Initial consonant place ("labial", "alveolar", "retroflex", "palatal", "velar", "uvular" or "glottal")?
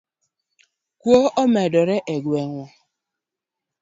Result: velar